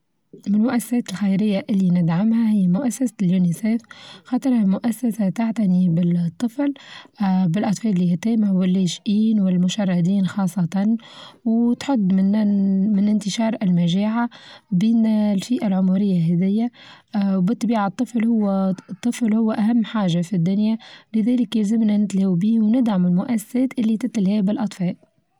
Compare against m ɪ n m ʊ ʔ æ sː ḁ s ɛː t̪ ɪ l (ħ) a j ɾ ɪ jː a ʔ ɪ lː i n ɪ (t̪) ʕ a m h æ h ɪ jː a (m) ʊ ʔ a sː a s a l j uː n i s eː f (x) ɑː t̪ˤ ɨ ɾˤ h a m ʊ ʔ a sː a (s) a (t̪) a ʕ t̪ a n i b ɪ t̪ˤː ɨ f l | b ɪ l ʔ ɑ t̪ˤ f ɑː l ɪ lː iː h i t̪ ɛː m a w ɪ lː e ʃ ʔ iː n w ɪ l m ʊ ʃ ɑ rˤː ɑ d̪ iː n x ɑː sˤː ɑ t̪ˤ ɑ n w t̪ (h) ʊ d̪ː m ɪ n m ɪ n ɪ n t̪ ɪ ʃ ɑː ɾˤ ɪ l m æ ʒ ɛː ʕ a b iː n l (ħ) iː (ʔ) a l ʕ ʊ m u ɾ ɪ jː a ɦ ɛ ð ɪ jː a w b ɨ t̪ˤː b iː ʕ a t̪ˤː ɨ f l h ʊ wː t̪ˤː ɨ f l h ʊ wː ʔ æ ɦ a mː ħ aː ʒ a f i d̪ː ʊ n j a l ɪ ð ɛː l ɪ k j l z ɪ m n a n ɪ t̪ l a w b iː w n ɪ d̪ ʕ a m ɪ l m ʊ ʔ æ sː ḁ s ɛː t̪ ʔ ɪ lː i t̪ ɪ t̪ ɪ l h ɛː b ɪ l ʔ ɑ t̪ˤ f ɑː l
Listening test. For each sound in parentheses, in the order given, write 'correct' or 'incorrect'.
incorrect: x, incorrect: d̪, correct, correct, correct, correct, incorrect: ħ, incorrect: f, correct

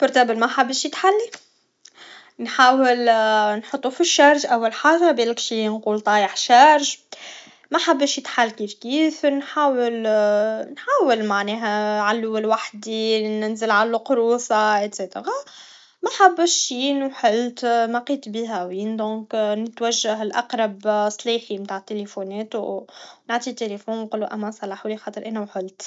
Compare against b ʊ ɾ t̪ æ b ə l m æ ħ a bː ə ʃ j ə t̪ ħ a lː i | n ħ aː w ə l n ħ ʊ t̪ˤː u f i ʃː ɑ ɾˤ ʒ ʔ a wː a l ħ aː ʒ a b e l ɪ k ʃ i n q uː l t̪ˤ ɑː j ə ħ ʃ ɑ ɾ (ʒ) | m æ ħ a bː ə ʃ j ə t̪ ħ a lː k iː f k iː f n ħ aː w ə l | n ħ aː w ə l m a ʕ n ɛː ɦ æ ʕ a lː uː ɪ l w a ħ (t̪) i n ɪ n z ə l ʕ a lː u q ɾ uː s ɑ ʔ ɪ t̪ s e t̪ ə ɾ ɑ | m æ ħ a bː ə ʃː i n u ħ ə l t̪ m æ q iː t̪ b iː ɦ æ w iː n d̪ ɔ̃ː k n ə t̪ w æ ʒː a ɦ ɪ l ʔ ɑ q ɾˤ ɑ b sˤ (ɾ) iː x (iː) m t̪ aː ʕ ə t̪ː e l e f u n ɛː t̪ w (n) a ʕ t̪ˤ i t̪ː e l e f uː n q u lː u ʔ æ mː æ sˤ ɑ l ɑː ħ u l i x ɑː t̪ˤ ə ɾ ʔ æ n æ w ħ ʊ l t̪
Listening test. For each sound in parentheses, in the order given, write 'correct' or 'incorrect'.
correct, incorrect: d̪, incorrect: l, incorrect: i, correct

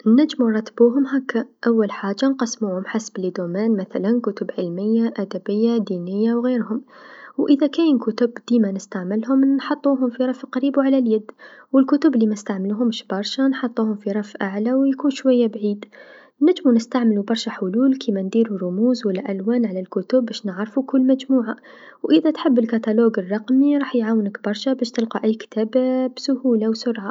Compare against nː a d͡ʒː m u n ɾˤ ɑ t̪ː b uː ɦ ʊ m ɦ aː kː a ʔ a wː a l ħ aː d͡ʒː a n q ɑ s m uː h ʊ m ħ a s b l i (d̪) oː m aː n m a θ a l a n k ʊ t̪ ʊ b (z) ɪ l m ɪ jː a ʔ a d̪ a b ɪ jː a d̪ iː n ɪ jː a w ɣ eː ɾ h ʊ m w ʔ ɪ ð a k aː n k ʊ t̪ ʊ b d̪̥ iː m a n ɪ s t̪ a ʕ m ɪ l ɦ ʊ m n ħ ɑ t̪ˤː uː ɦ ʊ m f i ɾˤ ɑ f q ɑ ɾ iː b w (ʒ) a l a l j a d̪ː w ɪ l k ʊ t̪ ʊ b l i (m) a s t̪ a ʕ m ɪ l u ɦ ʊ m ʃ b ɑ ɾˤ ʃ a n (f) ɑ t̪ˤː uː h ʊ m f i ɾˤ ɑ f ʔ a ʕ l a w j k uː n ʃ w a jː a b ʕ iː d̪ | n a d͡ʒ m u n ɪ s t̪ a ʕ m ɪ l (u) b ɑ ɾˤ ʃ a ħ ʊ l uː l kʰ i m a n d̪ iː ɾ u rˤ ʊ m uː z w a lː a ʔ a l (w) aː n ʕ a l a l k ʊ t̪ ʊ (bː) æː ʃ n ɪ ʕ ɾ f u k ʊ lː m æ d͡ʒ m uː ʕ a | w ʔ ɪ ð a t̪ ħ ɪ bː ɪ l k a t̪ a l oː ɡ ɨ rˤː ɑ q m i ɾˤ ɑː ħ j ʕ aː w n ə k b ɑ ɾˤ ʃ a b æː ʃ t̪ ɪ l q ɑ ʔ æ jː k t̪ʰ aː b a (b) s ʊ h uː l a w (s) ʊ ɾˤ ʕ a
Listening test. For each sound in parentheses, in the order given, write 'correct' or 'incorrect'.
correct, incorrect: ʕ, incorrect: ʕ, correct, incorrect: ħ, correct, correct, correct, correct, correct

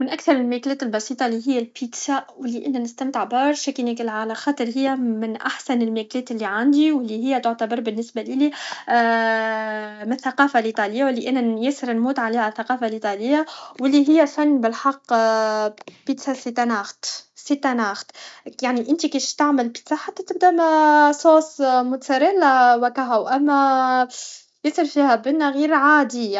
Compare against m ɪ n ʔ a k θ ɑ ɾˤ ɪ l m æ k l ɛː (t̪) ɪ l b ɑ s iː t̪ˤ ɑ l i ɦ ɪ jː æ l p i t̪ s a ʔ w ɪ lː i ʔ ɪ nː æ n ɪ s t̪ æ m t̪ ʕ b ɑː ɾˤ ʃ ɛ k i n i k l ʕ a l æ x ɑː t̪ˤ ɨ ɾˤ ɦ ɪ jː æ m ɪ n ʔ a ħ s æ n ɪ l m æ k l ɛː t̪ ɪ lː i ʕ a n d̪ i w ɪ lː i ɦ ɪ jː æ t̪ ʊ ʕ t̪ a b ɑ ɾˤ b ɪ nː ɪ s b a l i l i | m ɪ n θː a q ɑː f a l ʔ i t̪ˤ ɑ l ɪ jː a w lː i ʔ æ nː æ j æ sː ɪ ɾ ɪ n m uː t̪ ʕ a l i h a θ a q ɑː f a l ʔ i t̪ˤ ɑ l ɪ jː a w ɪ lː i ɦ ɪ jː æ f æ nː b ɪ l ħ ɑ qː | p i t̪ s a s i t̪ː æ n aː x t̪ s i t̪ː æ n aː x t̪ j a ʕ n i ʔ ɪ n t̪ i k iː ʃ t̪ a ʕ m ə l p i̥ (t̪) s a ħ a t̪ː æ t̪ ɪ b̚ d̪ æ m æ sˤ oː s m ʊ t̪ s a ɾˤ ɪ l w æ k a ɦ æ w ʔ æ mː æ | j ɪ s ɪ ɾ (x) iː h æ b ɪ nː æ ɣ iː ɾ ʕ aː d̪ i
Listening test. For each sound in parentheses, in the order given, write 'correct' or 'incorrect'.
correct, correct, incorrect: f

